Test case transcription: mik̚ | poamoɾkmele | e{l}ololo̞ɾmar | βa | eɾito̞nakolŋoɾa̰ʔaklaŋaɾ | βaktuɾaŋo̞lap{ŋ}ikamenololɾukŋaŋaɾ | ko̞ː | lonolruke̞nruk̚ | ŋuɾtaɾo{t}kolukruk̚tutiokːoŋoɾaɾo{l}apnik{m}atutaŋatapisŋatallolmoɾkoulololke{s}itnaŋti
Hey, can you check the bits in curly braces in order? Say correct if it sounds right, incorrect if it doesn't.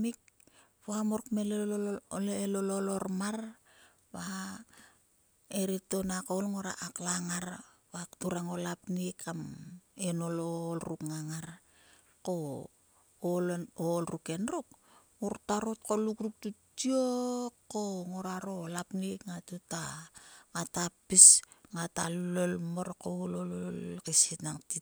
correct, incorrect: n, correct, correct, incorrect: ŋ, correct

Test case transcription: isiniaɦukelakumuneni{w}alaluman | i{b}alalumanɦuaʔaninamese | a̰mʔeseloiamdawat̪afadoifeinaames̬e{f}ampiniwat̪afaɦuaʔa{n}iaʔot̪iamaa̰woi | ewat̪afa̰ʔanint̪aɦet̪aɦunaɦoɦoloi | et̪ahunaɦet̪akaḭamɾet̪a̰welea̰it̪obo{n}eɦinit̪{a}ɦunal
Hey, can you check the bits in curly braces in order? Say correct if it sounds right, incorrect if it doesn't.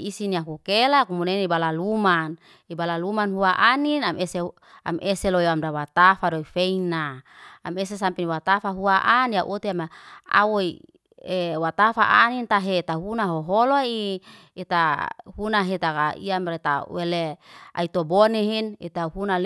incorrect: b, correct, incorrect: s, correct, correct, correct

